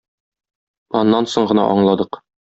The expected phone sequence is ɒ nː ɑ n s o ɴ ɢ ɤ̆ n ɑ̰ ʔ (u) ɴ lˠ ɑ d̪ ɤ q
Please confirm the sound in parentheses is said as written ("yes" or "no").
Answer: no